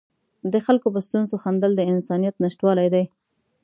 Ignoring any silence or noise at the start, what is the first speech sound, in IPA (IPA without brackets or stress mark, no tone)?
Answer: d̪